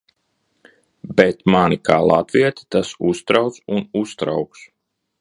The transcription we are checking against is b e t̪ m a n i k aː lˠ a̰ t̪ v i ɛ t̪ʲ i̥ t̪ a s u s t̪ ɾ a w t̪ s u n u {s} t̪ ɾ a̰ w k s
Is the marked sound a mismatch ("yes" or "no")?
no